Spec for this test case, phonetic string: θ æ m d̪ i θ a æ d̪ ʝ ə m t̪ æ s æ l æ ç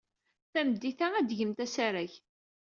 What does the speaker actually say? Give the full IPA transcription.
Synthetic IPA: θ æ m d̪ i θ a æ d̪ ʝ ə m t̪ æ s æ ɾ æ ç